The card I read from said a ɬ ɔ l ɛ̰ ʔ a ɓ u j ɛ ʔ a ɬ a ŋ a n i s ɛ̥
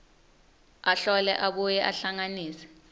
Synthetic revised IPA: a ɬ ɔ l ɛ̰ ʔ a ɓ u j ɛ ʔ a ɬ a ŋ a n iː s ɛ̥